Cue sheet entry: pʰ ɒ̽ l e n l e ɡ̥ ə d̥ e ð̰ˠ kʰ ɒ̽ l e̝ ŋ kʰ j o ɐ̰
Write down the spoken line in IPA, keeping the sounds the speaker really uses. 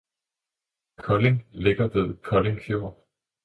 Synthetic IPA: kʰ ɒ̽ l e ŋ l e ɡ̥ ɐ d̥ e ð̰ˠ kʰ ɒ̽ l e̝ ŋ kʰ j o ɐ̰